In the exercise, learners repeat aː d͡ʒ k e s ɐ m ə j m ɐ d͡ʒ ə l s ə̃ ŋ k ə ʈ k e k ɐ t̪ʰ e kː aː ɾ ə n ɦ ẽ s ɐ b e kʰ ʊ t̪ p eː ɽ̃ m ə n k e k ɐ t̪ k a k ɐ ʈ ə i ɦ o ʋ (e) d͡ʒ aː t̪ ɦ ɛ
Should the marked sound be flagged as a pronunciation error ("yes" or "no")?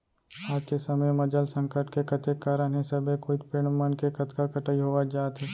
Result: yes